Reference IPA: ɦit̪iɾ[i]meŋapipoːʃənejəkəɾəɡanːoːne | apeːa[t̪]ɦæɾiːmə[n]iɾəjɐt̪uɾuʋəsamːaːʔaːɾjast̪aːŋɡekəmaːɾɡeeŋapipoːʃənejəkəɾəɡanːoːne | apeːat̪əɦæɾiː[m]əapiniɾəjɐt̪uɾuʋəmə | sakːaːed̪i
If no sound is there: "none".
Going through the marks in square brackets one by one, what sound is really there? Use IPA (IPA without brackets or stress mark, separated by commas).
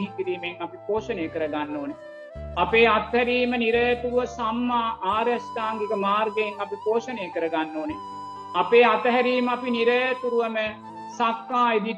iː, t̪, n, m